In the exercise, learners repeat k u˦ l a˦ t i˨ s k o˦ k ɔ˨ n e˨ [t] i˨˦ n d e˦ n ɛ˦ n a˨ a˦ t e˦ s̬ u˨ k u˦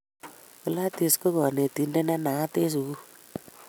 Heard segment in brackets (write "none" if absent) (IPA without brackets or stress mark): t